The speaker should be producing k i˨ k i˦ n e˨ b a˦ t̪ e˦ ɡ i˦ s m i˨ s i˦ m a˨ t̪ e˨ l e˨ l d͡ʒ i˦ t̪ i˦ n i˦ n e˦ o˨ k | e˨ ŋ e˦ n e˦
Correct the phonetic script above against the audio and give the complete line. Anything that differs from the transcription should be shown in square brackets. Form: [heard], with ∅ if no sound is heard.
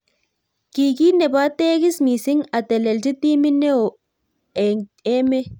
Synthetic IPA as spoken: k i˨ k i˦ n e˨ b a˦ t̪ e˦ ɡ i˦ s m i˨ s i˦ [ŋ] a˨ t̪ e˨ l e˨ l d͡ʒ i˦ t̪ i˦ [m] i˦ n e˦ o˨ [∅] | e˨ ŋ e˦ [m] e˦